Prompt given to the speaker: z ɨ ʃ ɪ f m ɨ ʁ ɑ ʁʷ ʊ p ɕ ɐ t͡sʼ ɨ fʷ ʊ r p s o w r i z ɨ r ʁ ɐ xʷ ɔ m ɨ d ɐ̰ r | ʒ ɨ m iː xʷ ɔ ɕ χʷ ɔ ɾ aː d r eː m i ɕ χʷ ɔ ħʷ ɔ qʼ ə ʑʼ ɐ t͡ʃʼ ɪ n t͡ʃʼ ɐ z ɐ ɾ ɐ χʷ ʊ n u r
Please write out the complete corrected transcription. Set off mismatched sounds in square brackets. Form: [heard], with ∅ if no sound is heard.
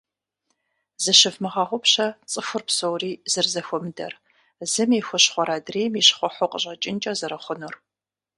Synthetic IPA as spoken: z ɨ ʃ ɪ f m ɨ ʁ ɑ ʁʷ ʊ p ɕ ɐ t͡sʼ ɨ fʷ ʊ r p s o w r [iː] z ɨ r [z] ɐ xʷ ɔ m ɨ d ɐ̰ r | [z] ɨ m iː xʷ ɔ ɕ χʷ ɔ ɾ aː d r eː m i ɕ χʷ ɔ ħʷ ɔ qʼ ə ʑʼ ɐ t͡ʃʼ ɪ n t͡ʃʼ ɐ z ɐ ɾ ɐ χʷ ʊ n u r